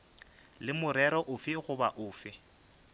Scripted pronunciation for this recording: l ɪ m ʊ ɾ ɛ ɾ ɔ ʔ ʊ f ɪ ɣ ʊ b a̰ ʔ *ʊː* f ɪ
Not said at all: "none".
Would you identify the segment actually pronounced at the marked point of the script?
ʊː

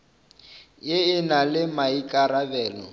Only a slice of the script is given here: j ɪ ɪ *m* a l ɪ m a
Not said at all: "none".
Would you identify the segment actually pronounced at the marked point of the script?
n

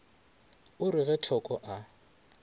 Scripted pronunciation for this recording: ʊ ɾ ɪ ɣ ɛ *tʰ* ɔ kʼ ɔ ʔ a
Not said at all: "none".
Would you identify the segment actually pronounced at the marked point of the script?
tʰ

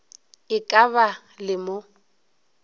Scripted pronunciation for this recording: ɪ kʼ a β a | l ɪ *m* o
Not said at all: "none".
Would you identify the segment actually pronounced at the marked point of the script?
m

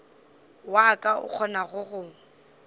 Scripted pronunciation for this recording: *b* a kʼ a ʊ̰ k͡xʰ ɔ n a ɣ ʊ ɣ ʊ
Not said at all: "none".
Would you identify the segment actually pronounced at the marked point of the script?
w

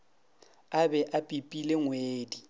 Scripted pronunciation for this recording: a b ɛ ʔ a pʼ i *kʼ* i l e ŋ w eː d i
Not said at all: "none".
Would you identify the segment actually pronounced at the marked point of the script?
pʼ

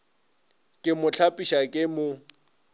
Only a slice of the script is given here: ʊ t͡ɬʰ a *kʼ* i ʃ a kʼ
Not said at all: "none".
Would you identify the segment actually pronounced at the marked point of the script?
pʼ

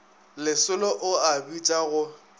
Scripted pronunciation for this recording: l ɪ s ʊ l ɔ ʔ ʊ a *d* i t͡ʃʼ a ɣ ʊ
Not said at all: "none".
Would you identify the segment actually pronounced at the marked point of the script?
b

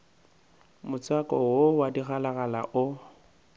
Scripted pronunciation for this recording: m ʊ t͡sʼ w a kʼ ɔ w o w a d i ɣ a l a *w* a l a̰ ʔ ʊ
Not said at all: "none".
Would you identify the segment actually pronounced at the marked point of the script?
ɣ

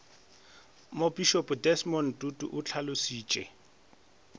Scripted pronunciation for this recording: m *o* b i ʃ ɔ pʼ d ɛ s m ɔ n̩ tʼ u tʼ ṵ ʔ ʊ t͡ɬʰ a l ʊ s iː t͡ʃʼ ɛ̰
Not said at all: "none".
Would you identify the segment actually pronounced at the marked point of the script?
o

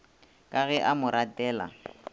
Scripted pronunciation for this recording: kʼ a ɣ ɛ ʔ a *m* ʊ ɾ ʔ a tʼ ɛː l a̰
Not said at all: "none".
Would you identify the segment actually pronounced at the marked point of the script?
m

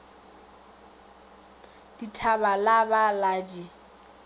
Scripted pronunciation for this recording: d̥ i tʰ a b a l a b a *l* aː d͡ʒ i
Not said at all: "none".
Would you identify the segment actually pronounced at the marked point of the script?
l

